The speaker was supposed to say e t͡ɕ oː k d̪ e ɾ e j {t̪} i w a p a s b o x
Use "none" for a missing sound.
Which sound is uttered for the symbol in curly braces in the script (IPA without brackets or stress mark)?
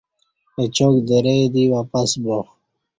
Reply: d̪